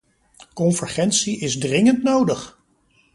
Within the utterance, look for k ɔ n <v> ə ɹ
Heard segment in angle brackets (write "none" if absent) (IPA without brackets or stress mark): v